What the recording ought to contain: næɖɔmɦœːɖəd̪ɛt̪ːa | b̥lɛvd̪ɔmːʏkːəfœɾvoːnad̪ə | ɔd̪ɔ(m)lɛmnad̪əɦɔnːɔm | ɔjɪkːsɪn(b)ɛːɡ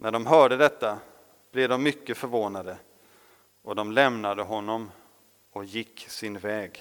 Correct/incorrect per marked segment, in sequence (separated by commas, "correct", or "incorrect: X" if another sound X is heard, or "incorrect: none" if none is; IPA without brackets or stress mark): correct, incorrect: v